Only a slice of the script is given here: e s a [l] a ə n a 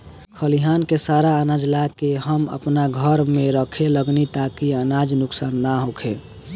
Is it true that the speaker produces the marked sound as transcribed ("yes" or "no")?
no